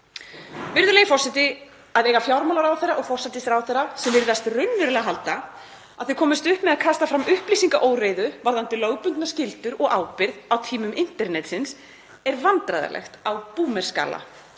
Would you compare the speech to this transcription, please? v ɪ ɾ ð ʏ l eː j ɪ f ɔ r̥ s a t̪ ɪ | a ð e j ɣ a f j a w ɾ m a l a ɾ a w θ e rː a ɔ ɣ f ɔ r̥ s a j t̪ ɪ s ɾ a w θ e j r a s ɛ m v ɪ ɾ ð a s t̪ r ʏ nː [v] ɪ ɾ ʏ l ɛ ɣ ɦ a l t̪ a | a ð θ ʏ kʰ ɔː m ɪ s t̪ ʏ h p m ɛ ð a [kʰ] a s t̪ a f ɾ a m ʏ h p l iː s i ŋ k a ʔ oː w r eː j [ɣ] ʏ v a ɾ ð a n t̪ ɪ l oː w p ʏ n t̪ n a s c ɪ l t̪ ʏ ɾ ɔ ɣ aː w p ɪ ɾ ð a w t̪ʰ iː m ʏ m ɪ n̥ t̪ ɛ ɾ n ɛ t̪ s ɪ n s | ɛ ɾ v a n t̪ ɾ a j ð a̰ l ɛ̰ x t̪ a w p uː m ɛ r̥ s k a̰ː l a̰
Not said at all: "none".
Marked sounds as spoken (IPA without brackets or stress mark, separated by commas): v, kʰ, ð